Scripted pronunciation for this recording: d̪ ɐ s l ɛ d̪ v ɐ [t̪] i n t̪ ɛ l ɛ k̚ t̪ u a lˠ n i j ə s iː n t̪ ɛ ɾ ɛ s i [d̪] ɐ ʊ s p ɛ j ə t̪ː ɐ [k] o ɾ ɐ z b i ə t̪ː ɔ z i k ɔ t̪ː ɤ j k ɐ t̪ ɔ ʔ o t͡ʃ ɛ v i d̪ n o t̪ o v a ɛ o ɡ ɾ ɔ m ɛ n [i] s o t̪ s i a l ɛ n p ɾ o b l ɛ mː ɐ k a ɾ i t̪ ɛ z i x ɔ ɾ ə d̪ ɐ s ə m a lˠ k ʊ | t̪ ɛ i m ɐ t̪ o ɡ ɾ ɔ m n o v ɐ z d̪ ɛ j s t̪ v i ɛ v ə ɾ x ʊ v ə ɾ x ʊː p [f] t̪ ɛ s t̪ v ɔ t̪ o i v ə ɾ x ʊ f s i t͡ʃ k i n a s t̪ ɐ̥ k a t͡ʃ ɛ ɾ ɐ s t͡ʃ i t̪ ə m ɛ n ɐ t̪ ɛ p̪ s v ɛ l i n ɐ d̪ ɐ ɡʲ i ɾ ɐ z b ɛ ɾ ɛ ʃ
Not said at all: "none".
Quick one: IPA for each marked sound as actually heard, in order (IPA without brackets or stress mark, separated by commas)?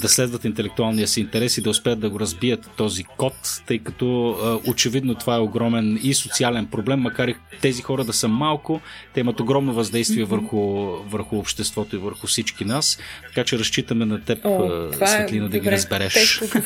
t̪, d̪, ɡ, i, ʃ